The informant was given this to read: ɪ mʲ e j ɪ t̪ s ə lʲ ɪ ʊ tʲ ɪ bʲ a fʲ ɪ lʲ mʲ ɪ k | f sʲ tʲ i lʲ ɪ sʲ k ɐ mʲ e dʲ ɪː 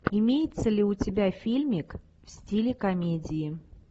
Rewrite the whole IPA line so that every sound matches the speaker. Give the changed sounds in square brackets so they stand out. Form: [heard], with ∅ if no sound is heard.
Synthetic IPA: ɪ mʲ e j ɪ t̪ s ə lʲ ɪ ʊ tʲ ɪ bʲ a fʲ [i] lʲ mʲ ɪ k | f sʲ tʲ i lʲ ɪ [∅] k ɐ mʲ e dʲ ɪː